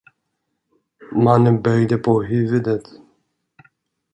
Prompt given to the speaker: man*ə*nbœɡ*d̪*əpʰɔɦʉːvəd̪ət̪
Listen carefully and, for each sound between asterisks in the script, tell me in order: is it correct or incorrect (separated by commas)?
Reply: correct, correct